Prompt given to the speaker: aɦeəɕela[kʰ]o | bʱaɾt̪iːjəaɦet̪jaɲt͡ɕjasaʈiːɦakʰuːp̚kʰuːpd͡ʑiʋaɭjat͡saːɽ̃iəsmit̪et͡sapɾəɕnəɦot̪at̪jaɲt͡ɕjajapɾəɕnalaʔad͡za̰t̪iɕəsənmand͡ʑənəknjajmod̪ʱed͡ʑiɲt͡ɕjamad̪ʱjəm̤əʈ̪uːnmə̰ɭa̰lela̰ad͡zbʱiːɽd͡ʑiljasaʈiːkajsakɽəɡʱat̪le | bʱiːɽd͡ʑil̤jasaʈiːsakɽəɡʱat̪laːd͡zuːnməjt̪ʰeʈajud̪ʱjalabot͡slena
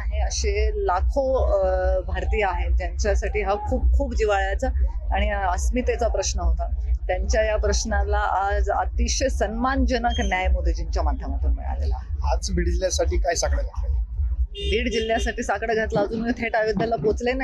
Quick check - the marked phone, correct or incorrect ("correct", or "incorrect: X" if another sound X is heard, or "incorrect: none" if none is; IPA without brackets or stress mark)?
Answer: correct